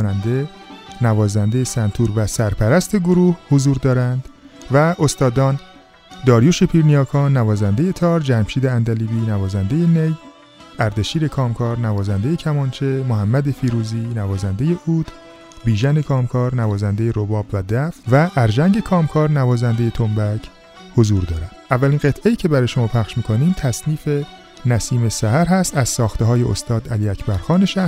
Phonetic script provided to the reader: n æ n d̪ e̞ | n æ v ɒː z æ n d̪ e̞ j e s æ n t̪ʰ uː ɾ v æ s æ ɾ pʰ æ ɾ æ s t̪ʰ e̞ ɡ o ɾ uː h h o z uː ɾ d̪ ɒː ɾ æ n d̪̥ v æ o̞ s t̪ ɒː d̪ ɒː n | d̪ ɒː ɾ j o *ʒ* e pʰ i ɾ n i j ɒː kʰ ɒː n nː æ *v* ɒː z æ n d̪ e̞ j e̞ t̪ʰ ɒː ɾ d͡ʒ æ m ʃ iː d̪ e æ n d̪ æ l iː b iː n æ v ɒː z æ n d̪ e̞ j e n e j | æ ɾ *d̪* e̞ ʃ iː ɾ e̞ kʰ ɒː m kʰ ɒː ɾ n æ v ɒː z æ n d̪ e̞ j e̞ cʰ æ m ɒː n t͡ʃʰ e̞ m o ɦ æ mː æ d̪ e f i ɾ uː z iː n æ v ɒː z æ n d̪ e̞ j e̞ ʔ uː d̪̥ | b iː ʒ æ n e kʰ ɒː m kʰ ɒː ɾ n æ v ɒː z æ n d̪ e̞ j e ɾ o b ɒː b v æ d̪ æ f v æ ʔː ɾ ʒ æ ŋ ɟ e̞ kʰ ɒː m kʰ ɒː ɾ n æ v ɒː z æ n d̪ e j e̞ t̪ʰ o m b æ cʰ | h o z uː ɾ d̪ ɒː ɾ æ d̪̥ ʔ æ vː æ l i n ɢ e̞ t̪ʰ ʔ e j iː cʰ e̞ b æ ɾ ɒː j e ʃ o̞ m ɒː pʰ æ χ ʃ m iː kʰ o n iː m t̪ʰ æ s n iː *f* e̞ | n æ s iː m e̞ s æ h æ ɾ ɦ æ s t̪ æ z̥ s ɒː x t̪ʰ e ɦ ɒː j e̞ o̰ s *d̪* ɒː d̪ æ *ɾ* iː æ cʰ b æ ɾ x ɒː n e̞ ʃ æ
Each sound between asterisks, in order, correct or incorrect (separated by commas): incorrect, correct, correct, correct, incorrect, incorrect